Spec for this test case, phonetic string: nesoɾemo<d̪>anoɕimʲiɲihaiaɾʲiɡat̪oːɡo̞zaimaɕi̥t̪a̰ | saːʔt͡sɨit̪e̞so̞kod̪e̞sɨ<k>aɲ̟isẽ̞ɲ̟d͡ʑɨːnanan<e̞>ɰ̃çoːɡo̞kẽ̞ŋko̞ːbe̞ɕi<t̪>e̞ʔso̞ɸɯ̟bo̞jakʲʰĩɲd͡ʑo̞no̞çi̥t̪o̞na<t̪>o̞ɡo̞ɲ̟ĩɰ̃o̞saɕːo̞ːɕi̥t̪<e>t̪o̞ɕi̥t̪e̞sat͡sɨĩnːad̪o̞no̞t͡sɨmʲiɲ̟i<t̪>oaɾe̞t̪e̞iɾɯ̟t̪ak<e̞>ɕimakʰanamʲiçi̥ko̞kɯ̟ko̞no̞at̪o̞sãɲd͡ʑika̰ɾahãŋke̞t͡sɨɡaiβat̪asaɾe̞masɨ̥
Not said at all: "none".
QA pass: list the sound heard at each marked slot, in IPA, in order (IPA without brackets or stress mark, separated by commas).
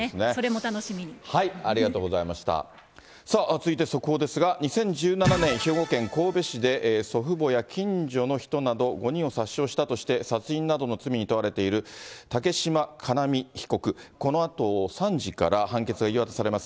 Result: t̪, ɡ, ẽ̞, d̪, d̪, a, t̪, e̞